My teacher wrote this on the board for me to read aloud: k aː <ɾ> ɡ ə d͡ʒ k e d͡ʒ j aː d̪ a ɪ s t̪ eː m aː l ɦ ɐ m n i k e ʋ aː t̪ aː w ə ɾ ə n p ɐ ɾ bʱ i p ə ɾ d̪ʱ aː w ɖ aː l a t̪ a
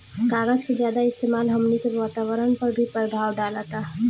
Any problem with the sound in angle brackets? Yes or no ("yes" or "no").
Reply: yes